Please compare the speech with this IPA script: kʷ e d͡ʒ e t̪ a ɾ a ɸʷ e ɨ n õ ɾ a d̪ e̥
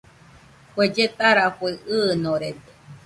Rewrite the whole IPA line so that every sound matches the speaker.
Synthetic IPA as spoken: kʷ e d͡ʒ e t̪ a ɾ a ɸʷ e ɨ n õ ɾ e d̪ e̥